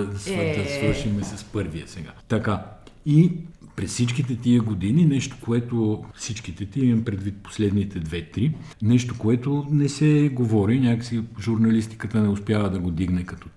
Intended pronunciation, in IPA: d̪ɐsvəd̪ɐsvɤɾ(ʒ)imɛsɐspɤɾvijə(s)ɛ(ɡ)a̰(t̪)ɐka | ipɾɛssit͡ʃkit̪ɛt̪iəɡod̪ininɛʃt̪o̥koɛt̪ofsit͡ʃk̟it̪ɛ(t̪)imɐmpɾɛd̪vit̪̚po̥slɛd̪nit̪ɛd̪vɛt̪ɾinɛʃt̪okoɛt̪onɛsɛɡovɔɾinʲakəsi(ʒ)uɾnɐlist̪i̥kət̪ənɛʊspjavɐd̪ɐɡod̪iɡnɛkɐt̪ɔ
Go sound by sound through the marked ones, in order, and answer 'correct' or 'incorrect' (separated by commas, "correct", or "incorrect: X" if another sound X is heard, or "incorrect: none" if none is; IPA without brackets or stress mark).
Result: incorrect: ʃ, correct, correct, correct, correct, correct